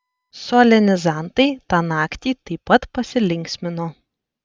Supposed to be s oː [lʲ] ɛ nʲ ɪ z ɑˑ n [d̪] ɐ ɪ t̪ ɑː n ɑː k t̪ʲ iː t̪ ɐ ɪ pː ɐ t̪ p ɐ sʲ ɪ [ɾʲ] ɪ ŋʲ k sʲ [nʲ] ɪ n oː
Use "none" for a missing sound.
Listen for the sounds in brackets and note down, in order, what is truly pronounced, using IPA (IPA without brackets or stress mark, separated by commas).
lʲ, t̪, lʲ, mʲ